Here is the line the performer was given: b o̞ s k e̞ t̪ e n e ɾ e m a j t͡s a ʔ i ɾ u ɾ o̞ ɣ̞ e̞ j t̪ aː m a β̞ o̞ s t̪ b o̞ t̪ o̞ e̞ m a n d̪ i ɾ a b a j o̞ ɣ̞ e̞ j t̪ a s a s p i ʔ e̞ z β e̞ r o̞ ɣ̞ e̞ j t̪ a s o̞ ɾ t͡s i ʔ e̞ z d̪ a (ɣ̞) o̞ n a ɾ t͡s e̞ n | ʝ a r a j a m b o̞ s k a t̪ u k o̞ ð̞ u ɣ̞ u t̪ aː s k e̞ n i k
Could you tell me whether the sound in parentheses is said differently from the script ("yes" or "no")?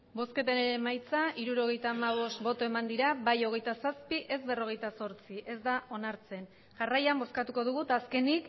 yes